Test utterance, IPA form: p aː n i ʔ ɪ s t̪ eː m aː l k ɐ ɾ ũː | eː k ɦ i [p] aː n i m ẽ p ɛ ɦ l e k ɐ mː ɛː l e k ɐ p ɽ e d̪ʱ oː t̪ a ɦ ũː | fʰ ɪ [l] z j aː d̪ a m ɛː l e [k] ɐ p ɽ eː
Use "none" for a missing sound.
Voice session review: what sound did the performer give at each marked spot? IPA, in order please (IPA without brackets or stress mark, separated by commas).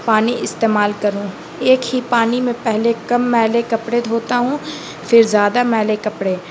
p, ɾ, k